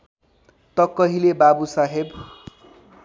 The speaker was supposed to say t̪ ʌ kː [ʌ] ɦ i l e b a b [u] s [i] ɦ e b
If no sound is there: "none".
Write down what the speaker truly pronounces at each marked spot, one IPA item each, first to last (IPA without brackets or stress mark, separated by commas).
ʌ, u, a